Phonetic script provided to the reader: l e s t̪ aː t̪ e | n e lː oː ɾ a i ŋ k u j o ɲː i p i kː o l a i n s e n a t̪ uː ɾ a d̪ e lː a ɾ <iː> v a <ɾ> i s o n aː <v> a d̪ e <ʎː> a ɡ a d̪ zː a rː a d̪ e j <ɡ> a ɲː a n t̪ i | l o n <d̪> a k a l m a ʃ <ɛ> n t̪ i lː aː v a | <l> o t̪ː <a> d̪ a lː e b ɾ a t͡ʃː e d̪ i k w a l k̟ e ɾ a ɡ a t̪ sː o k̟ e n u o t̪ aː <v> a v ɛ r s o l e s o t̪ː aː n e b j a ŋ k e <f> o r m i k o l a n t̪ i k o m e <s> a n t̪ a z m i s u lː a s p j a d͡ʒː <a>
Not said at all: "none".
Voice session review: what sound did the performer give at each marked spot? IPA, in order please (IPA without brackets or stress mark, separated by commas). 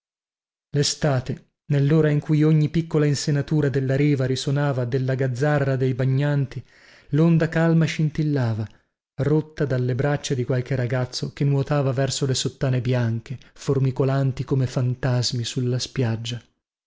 iː, ɾ, v, lː, b, d̪, i, r, a, v, f, f, a